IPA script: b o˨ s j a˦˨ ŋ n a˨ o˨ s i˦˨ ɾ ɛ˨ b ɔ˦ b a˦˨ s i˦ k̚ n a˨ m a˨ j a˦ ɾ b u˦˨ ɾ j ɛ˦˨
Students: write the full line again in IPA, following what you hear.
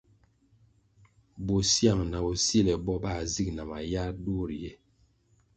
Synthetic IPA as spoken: b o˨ s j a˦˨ ŋ n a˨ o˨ s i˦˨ l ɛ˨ b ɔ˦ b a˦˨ z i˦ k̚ n a˨ m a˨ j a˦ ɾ d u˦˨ ɾ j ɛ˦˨